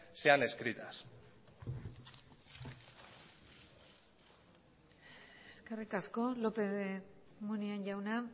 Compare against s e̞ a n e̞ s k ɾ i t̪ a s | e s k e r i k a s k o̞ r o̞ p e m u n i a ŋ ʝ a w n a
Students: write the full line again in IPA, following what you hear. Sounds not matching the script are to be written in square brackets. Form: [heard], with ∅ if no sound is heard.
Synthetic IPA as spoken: s e̞ a n e̞ s k ɾ i t̪ a s | e s k e r i k a s k o̞ [l] o̞ p e m u n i a [n] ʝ a w n a